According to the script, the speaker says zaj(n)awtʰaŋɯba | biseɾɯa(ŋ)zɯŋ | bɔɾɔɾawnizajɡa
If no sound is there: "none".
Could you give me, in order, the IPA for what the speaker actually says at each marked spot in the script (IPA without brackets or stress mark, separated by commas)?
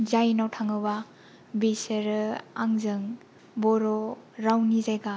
n, ŋ